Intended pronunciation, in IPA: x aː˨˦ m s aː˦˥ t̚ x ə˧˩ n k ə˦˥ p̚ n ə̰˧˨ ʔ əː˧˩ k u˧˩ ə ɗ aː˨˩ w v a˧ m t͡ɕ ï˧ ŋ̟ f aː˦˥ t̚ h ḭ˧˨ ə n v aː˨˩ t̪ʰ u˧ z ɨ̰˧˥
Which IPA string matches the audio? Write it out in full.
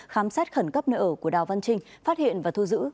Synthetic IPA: x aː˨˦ m s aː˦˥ t̚ x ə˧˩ n k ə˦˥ p̚ n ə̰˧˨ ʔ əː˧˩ k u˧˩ ə ɗ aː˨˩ w v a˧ n t͡ɕ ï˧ ŋ̟ f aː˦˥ t̚ h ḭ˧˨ ə n v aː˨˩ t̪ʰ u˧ z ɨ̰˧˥